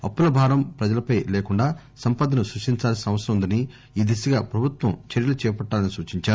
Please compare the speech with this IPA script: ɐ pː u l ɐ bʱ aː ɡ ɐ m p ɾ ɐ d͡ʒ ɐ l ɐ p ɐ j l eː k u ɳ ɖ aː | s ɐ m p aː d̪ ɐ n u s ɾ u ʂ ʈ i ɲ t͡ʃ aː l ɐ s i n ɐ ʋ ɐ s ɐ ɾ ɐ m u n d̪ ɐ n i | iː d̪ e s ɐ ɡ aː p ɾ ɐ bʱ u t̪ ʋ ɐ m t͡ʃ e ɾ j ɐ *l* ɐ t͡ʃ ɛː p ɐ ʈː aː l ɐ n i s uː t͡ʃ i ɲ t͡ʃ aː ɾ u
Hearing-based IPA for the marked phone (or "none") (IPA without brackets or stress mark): l